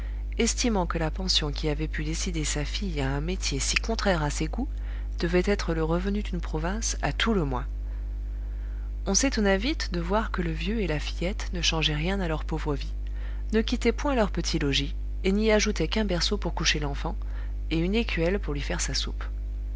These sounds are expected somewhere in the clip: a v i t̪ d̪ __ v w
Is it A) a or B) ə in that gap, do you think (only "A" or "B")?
B